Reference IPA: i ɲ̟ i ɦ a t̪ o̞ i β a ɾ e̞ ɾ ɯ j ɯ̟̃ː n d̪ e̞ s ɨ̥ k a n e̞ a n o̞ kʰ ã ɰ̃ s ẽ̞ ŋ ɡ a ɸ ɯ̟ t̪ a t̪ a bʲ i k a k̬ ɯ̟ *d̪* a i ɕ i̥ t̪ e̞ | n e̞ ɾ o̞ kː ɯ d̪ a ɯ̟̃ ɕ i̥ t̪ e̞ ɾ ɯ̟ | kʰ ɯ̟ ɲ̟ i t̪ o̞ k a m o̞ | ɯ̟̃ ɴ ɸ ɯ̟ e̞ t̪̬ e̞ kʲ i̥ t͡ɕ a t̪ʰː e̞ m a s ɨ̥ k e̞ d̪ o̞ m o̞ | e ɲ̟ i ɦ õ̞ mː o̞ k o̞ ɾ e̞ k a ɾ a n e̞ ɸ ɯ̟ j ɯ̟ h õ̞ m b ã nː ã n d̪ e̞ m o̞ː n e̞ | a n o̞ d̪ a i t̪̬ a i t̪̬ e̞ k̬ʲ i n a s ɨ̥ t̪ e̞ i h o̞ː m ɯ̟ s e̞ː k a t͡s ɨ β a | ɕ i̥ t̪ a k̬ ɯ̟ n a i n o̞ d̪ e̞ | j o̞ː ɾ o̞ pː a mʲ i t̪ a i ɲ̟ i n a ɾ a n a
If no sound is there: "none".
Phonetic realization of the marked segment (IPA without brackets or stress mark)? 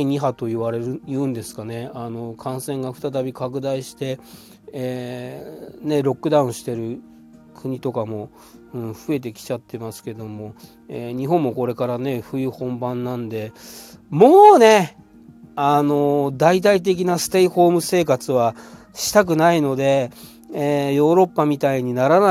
d̪